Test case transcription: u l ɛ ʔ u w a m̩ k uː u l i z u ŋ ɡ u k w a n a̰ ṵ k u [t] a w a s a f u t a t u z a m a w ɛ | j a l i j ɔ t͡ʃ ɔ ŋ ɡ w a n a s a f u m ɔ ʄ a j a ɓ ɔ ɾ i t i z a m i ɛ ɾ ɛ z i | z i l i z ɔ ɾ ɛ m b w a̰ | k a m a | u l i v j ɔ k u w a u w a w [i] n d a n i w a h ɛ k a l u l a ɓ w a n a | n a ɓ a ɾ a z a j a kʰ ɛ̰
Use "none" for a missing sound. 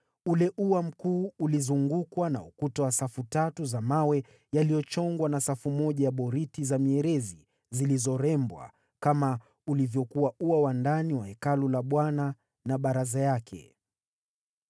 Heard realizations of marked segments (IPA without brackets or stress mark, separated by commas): t, a